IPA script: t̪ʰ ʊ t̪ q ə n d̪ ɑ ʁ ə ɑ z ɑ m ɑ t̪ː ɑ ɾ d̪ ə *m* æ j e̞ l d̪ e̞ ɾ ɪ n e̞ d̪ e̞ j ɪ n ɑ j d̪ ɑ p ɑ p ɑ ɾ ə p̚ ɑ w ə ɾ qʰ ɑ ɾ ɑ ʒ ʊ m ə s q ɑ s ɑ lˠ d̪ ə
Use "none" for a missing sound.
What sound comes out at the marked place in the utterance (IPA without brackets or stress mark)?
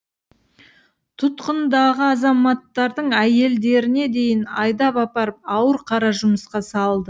ɴ